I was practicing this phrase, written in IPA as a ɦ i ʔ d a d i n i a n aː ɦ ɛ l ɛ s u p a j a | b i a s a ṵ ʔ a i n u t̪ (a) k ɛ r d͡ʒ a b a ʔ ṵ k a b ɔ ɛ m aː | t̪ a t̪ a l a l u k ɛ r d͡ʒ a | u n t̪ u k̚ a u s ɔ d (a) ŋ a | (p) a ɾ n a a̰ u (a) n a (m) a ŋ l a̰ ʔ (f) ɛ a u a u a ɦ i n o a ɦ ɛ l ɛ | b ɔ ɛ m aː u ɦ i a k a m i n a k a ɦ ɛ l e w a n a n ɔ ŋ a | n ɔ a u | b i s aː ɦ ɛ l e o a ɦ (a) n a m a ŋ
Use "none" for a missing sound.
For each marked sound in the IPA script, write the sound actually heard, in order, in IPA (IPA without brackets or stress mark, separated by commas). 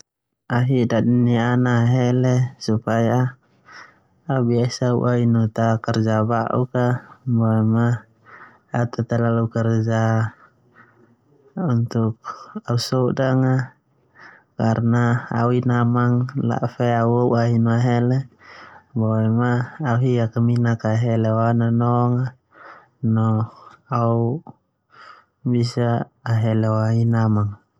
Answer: a, a, k, i, m, f, i